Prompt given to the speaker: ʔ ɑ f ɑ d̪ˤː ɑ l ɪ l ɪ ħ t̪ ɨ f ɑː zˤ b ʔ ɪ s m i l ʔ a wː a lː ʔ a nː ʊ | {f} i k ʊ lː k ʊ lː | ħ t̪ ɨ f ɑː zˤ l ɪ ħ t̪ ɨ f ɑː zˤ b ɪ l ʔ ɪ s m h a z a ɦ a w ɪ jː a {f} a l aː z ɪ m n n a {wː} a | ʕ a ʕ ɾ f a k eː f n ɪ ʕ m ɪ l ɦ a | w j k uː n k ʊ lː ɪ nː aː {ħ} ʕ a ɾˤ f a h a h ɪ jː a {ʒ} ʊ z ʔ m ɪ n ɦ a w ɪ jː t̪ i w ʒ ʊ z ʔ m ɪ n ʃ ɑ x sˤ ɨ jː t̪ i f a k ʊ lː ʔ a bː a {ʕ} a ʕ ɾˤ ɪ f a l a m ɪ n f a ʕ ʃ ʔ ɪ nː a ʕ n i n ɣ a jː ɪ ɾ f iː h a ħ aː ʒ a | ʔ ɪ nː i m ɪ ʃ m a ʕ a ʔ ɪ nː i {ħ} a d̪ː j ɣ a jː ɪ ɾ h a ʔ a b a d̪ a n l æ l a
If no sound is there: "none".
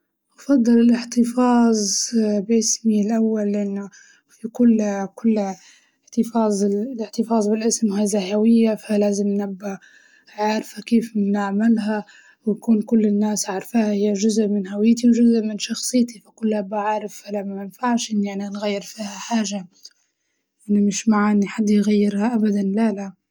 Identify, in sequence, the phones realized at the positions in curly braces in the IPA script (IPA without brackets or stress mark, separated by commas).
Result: f, f, bː, s, ʒ, ʕ, ħ